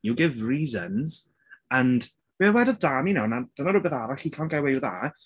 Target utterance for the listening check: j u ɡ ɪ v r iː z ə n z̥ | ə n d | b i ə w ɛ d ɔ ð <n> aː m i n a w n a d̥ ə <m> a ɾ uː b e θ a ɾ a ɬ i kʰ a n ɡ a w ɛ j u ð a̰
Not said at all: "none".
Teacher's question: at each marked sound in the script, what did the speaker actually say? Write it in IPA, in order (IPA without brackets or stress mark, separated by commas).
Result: d, n